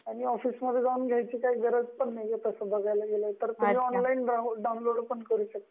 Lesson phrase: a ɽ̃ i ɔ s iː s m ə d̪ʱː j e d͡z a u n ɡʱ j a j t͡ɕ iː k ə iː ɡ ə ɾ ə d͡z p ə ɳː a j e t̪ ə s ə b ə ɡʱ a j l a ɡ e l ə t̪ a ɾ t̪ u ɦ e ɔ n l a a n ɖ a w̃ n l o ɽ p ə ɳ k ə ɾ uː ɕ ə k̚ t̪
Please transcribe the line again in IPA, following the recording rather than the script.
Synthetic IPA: a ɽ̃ i ɔ f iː s m ə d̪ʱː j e d͡z a u n ɡʱ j a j t͡ɕ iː k a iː ɡ ə ɾ ə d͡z p ə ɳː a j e t̪ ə s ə b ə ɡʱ a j l a ɡ e l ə t̪ ə ɾ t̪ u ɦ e ɔ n l a i n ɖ a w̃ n l o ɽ p ə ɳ k ə ɾ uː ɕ ə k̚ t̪